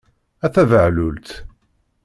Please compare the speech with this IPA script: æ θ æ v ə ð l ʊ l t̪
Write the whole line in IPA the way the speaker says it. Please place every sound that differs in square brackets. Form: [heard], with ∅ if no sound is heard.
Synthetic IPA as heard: æ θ æ v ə [ʕ] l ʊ l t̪